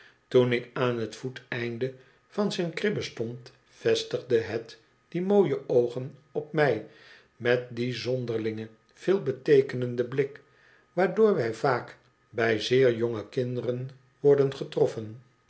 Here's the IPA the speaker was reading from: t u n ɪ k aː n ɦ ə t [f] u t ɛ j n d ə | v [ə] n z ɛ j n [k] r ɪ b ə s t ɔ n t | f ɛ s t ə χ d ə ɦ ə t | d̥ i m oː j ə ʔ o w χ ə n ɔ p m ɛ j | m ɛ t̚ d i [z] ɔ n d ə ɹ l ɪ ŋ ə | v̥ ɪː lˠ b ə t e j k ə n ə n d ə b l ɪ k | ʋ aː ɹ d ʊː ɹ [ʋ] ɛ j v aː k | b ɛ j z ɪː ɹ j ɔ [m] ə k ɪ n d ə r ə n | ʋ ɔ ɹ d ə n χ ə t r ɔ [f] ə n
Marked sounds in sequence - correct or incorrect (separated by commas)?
correct, incorrect, correct, correct, correct, incorrect, correct